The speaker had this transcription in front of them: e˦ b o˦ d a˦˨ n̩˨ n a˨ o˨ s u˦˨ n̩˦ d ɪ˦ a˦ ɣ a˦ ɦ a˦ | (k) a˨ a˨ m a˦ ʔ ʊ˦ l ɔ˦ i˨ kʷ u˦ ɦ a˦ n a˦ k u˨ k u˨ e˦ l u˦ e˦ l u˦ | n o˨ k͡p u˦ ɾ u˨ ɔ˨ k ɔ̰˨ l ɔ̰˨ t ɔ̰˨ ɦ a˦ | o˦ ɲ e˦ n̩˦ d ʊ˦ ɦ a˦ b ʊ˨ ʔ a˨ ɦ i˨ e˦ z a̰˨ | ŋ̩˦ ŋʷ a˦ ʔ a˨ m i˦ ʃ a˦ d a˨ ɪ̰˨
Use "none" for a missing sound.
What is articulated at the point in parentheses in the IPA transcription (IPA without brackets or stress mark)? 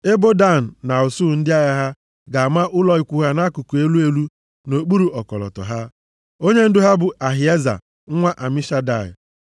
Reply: ɡ